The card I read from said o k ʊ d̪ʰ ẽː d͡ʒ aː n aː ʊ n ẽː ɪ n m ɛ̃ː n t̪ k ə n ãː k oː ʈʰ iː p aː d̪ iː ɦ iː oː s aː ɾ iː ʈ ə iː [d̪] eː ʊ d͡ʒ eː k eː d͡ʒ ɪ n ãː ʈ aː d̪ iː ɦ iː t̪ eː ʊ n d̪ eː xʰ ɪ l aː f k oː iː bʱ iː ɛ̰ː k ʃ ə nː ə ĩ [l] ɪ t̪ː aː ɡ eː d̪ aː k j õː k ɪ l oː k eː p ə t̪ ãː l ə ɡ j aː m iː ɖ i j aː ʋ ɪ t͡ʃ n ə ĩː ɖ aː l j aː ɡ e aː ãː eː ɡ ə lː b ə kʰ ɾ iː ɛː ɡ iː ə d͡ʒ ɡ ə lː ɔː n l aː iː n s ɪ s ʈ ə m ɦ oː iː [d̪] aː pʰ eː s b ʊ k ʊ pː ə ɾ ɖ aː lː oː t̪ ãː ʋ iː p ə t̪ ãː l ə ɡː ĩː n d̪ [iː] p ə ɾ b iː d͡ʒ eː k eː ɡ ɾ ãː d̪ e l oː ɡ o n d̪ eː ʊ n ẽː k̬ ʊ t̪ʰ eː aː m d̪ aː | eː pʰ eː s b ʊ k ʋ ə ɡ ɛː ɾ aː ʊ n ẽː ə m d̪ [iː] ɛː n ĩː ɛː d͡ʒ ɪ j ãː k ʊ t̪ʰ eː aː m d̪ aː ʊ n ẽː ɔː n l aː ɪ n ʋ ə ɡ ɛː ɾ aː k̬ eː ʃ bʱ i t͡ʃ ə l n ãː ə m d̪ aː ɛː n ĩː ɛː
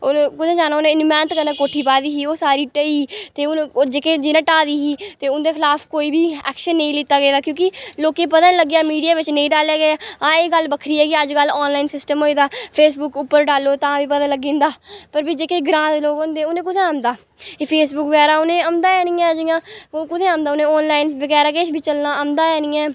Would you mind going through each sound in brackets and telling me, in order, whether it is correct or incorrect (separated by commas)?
incorrect, correct, correct, incorrect, incorrect